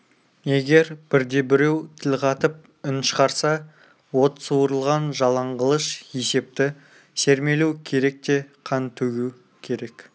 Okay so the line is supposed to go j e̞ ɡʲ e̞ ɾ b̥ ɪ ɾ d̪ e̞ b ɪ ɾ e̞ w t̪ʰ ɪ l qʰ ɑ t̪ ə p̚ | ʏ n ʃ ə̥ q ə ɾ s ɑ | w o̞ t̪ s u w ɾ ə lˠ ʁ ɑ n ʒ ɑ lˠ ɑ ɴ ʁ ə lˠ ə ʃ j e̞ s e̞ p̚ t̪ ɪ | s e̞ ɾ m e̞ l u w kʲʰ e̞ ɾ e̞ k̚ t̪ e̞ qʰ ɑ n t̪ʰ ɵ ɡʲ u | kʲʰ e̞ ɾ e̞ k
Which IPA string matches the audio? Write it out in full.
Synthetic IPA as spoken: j e̞ ɡʲ e̞ ɾ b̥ ɪ ɾ d̪ e̞ b ɪ ɾ e̞ w t̪ʰ ɪ l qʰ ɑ t̪ ə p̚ | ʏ n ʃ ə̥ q ɑ ɾ s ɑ | w o̞ t̪ s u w ɾ ə lˠ ʁ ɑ n ʒ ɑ lˠ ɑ ɴ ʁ ə lˠ ə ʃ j e̞ s e̞ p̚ t̪ ɪ | s e̞ ɾ m e̞ l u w kʲʰ e̞ ɾ e̞ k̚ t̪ e̞ qʰ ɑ n t̪ʰ ɵ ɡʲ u | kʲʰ e̞ ɾ e̞ k